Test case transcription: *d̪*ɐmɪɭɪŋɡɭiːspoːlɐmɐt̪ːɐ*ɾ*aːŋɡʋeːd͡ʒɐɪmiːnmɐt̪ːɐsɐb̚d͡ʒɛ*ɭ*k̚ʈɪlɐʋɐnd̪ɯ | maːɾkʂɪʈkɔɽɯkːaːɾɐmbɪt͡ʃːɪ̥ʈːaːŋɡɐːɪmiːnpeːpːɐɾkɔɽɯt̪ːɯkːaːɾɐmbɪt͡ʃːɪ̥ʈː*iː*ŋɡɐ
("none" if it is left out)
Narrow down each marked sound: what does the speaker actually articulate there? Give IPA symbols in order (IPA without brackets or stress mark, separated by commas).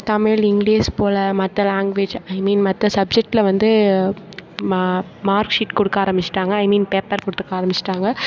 t̪, l, none, aː